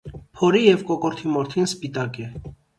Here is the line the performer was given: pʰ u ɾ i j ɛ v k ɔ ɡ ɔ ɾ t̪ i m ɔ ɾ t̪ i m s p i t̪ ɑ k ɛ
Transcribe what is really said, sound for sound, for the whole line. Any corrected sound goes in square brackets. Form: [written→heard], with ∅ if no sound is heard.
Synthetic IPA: pʰ [u→ɔ] ɾ i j ɛ v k ɔ [ɡ→k] ɔ ɾ [t̪→t̪ʰ] i m ɔ ɾ [t̪→t̪ʰ] i [m→n] s p i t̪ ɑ k ɛ

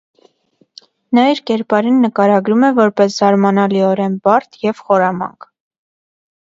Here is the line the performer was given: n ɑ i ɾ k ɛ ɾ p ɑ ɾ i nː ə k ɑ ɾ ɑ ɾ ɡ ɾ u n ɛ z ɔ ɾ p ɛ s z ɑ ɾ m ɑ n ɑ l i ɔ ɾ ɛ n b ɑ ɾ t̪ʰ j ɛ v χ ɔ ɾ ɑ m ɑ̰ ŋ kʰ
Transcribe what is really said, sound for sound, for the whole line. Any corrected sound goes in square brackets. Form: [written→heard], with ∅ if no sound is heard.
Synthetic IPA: n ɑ i ɾ k ɛ ɾ p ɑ ɾ i nː ə k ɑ ɾ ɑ [ɾ→∅] ɡ ɾ u [n→m] ɛ [z→v] ɔ ɾ p ɛ s z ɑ ɾ m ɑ n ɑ l i ɔ ɾ ɛ n b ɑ ɾ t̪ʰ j ɛ v χ ɔ ɾ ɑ m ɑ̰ ŋ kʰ

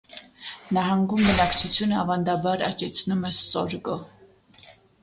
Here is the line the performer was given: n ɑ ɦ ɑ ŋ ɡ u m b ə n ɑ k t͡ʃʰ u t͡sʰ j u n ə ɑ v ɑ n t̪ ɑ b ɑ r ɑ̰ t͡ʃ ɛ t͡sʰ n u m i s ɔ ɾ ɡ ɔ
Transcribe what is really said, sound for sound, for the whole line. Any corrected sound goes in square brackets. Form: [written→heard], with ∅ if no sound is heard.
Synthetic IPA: n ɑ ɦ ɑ ŋ ɡ u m b ə n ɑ k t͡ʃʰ u t͡sʰ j u n ə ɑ v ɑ n [t̪→d̪] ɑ b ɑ [r→ɾ] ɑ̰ t͡ʃ ɛ t͡sʰ n u m [i→ɛ] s ɔ ɾ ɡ ɔ

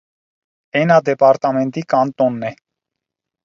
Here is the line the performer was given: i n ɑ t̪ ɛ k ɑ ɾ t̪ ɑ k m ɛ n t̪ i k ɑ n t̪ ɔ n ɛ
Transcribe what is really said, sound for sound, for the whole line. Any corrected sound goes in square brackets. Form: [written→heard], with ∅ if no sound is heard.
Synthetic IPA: [i→ɛ] n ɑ [t̪→d̪] ɛ [k→p] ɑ ɾ t̪ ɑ [k→∅] m ɛ n t̪ i k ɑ n t̪ ɔ [n→nː] ɛ

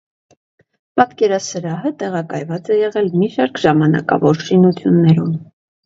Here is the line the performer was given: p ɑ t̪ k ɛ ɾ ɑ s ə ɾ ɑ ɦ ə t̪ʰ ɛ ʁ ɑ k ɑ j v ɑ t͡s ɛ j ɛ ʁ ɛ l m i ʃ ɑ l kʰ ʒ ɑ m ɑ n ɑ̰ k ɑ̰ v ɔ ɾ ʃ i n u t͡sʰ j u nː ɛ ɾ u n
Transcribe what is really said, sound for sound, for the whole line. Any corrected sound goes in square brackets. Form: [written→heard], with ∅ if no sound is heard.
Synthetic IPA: p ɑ t̪ k ɛ ɾ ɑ s ə ɾ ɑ ɦ ə [t̪ʰ→t̪] ɛ ʁ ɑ k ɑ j v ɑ t͡s ɛ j ɛ ʁ ɛ l m i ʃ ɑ [l→ɾ] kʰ ʒ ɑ m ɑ n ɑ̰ k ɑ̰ v ɔ ɾ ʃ i n u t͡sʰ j u nː ɛ ɾ u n

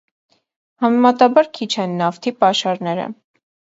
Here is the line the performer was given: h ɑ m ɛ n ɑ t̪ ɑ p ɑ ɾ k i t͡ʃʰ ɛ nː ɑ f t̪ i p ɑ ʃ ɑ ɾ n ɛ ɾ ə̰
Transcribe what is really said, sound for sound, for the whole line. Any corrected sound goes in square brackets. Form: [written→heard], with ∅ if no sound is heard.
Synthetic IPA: h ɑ m ɛ [n→m] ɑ t̪ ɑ [p→b] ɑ ɾ [k→kʰ] i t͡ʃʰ ɛ nː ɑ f [t̪→t̪ʰ] i p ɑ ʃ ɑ ɾ n ɛ ɾ ə̰

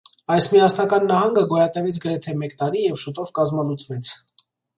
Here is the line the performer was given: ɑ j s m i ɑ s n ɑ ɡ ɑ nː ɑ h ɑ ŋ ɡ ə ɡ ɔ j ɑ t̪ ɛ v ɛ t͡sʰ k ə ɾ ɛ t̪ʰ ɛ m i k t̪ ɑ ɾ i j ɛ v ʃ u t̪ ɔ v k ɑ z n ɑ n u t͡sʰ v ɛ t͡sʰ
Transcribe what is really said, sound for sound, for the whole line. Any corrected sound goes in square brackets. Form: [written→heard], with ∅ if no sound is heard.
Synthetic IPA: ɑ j s m i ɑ s n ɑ [ɡ→k] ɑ nː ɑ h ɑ ŋ ɡ ə ɡ ɔ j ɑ t̪ ɛ v ɛ t͡sʰ [k→ɡ] ə ɾ ɛ t̪ʰ ɛ m [i→ɛ] k t̪ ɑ ɾ i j ɛ v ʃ u t̪ ɔ v k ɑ z [n→m] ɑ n u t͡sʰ v ɛ t͡sʰ

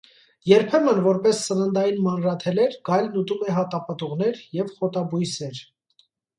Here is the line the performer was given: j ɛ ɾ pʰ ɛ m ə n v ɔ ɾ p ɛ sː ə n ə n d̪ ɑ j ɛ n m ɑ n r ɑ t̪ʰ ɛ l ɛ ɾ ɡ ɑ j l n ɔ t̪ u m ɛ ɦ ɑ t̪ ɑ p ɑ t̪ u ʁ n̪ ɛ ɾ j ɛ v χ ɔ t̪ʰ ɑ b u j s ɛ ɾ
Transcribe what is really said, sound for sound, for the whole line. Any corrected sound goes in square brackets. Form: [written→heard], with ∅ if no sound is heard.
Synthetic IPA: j ɛ ɾ pʰ ɛ m ə n v ɔ ɾ p ɛ sː ə n ə n d̪ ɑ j [ɛ→i] n m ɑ n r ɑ t̪ʰ ɛ l ɛ ɾ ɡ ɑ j l n [ɔ→u] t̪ u m ɛ ɦ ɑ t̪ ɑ p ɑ t̪ u ʁ n̪ ɛ ɾ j ɛ v χ ɔ [t̪ʰ→t̪] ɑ b u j s ɛ ɾ

